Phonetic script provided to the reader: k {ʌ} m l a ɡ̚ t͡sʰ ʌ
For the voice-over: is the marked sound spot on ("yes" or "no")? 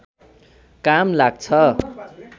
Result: no